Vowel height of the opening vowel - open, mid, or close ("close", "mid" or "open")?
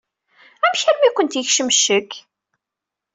open